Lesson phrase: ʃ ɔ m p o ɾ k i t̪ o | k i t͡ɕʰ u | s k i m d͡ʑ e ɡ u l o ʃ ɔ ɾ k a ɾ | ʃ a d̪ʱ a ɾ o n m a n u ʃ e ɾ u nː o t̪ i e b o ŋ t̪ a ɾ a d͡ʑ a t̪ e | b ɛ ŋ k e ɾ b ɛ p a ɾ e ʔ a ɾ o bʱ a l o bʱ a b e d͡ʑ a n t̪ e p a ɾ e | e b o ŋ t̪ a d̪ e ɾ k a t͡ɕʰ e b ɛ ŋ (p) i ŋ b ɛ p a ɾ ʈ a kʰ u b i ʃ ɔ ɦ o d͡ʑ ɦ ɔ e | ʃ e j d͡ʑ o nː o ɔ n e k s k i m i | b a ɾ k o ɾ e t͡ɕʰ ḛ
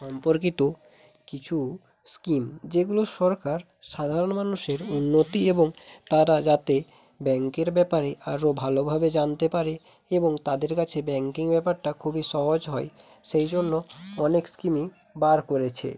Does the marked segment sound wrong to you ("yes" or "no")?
yes